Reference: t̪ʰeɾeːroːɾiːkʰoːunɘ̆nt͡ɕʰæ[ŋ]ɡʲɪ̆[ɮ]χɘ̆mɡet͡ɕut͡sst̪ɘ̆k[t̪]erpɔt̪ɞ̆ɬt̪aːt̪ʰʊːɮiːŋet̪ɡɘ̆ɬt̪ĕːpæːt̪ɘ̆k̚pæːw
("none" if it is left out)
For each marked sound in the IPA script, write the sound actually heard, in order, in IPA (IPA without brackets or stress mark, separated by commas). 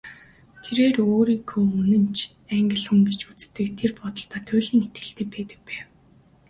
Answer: ŋ, ɮ, t̪ʰ